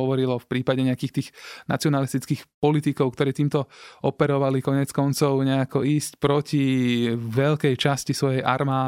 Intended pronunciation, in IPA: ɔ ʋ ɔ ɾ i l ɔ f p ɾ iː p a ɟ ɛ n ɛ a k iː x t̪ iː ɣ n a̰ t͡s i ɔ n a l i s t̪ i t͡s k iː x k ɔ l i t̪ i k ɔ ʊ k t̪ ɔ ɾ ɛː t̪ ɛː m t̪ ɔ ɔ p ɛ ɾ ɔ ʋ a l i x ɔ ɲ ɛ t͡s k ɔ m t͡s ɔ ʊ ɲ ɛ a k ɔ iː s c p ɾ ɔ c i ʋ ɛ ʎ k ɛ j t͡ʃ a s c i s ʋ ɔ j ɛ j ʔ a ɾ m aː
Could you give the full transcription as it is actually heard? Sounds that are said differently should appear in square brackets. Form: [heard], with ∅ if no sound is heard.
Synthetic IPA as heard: ɔ ʋ ɔ ɾ i l ɔ f p ɾ iː p a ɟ ɛ [ɲ] ɛ a k iː x t̪ iː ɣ n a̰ t͡s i ɔ n a l i s t̪ i t͡s k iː x [p] ɔ l i t̪ i k ɔ ʊ k t̪ ɔ ɾ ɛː t̪ [iː] m t̪ ɔ ɔ p ɛ ɾ ɔ ʋ a l i [k] ɔ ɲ ɛ t͡s k ɔ [n] t͡s ɔ ʊ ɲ ɛ a k ɔ iː s c p ɾ ɔ c i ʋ ɛ ʎ k ɛ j t͡ʃ a s c i s ʋ ɔ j ɛ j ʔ a ɾ m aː